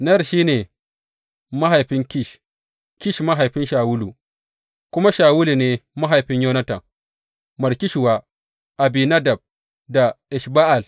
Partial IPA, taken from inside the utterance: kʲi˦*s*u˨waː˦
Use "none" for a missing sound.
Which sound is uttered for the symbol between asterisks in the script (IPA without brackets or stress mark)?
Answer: ʃ